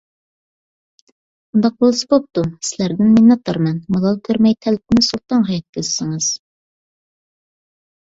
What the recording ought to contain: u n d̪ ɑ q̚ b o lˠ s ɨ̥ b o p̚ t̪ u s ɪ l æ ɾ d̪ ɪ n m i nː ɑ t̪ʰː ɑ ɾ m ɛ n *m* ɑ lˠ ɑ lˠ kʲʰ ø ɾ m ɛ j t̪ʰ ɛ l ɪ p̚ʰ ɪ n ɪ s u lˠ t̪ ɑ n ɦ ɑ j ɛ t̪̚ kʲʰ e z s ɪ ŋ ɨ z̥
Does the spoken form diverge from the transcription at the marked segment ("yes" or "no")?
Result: no